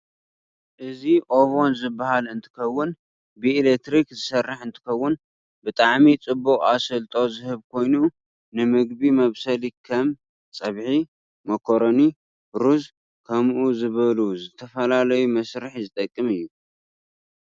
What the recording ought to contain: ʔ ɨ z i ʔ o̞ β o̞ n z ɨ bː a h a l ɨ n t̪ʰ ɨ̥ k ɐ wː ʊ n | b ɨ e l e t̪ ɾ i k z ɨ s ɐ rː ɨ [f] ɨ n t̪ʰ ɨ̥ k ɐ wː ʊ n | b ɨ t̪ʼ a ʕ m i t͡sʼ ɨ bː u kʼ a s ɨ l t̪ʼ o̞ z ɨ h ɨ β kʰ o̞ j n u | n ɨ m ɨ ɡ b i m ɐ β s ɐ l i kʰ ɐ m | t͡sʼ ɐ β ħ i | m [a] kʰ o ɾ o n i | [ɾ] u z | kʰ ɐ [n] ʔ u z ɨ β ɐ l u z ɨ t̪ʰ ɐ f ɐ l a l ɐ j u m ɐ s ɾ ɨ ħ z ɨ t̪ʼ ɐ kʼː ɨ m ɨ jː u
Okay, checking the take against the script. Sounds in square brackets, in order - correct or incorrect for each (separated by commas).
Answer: incorrect, incorrect, correct, incorrect